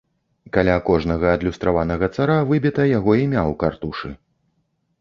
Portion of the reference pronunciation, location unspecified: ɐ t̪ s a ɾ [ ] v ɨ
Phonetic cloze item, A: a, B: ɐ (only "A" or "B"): A